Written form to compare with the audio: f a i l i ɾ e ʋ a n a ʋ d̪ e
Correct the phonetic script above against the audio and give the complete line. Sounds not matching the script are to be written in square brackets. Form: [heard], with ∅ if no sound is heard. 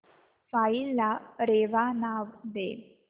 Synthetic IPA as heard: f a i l [a] ɾ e ʋ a n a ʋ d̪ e